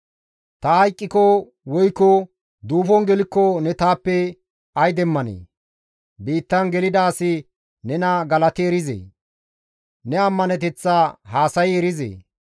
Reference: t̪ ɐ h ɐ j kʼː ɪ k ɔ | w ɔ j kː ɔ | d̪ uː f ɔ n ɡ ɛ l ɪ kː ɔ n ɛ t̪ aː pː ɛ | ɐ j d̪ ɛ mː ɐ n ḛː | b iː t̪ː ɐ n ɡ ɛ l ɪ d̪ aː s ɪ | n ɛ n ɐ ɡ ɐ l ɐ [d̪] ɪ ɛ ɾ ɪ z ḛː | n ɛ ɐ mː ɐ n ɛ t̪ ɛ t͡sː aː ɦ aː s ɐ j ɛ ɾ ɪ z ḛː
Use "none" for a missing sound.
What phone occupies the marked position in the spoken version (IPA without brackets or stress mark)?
t̪